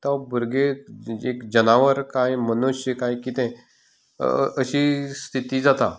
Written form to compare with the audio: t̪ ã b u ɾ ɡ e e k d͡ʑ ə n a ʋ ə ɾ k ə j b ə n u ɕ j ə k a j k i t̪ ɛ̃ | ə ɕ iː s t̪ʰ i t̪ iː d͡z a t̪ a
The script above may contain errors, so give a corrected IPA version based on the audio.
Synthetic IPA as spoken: t̪ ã b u ɾ ɡ e e k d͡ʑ ə n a ʋ ə ɾ k a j m ə n u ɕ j ə k a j k i t̪ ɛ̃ | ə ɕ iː s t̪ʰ i t̪ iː d͡z a t̪ a